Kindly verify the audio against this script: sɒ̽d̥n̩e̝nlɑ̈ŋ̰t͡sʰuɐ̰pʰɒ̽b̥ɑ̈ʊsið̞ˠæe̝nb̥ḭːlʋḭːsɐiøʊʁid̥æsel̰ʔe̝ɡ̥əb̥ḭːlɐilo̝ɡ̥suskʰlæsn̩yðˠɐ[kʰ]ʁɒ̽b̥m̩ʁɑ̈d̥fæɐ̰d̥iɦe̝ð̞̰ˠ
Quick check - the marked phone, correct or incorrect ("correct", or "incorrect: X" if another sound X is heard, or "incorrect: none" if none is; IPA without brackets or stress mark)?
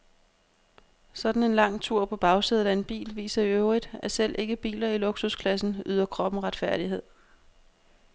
correct